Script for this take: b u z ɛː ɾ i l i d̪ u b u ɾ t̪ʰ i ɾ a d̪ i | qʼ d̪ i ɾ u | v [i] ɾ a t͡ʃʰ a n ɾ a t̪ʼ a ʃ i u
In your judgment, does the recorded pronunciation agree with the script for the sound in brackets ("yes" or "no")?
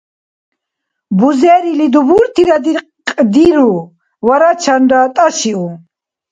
no